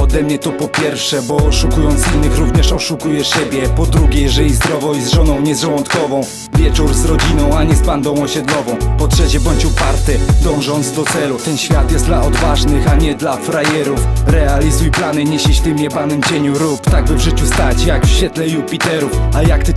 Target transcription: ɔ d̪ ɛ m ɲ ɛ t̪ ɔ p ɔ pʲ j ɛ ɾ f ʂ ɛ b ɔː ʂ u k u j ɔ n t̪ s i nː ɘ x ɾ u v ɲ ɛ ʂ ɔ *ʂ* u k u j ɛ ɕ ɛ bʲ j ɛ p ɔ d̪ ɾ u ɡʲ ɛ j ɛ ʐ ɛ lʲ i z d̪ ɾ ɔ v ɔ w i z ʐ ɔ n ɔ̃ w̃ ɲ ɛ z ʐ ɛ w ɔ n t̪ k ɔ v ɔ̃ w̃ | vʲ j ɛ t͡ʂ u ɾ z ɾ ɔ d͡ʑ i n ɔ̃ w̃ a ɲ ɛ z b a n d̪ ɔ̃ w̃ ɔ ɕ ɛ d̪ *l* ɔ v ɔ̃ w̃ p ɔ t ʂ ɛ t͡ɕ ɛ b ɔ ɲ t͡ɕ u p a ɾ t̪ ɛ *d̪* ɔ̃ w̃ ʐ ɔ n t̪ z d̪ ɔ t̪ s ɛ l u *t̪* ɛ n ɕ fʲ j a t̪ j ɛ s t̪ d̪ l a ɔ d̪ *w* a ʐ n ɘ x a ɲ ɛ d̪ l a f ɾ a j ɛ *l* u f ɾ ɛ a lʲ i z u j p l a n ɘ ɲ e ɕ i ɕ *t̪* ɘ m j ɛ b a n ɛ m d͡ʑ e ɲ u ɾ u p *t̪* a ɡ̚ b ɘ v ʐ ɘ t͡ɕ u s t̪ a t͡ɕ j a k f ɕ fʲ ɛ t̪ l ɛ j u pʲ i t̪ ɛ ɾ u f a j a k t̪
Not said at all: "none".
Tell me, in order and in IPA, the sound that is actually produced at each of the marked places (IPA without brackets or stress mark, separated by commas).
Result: ʂ, l, d̪, t̪, v, ɾ, t̪, t̪